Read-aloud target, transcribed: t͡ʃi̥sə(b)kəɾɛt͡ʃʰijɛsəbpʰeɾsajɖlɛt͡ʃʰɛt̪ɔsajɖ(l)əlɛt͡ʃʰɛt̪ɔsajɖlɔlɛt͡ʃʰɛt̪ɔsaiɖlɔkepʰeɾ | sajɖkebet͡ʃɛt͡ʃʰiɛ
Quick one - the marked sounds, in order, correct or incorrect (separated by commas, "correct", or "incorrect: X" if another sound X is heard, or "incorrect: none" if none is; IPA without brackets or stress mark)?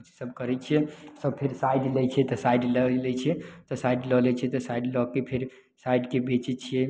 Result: correct, correct